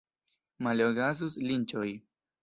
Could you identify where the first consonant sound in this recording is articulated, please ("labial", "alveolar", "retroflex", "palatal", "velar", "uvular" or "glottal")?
labial